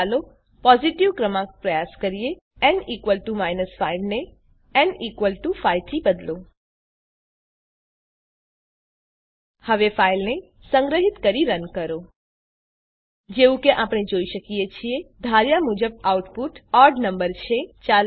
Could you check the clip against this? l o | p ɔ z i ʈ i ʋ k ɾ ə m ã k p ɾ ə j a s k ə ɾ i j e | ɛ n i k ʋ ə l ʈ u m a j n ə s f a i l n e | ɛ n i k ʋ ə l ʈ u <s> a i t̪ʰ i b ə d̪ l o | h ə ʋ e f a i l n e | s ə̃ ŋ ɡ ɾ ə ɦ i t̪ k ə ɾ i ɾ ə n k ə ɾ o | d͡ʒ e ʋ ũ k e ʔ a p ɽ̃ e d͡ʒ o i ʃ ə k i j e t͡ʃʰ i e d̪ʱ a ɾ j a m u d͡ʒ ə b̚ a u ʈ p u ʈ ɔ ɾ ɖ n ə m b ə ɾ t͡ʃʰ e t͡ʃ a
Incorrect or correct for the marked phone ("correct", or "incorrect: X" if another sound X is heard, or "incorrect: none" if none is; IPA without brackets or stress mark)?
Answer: incorrect: f